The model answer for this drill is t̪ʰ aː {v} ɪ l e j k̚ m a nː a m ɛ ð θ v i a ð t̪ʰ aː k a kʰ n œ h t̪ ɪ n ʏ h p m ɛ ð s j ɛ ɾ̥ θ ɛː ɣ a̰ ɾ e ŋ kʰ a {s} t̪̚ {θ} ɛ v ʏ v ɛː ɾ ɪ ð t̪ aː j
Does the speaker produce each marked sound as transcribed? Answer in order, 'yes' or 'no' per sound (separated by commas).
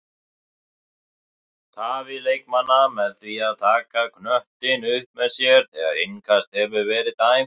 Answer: yes, yes, no